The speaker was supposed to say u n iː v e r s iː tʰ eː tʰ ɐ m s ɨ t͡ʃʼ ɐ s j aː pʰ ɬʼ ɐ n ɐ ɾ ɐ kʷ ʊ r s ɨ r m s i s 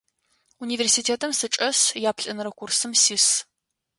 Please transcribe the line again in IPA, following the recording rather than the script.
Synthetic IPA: u n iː v e r s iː tʰ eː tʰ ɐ m s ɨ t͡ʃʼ ɐ s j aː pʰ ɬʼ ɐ n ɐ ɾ ɐ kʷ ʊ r s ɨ m s i s